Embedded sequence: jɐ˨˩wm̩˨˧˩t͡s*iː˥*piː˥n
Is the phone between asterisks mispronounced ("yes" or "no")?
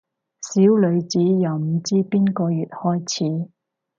no